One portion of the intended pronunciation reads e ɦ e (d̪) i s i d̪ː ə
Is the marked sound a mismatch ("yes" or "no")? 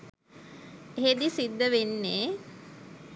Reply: no